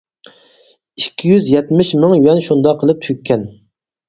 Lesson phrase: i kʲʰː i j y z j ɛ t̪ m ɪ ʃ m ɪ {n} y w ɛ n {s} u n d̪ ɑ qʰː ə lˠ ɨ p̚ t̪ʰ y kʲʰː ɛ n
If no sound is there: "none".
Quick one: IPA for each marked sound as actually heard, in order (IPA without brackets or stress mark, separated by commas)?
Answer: ŋ, ʃ